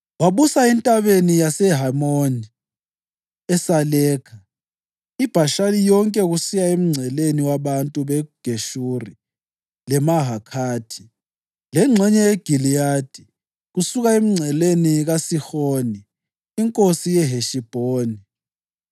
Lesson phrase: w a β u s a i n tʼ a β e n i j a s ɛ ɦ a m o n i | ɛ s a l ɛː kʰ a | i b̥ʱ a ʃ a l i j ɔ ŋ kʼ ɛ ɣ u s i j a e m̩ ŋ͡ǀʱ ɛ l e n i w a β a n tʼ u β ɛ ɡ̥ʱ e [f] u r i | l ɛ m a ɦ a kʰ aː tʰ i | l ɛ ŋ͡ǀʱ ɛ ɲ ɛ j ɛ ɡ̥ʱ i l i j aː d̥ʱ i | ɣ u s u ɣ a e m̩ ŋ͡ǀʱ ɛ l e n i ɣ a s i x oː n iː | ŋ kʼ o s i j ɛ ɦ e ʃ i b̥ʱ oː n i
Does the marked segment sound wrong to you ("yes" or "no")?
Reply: yes